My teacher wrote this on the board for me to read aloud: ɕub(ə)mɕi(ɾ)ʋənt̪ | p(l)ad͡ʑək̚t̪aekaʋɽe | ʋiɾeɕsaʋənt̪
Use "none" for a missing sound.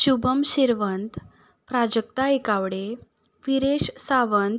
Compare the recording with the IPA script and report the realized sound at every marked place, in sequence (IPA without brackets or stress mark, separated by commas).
ə, ɾ, ɾ